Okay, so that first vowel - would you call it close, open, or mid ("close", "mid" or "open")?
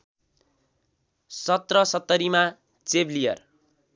mid